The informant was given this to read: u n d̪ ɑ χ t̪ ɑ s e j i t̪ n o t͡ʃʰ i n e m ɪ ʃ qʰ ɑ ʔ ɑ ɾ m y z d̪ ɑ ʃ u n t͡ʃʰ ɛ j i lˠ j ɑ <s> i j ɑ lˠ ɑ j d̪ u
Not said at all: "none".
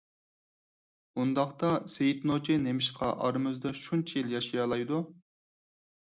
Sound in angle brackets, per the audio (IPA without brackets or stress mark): ʃ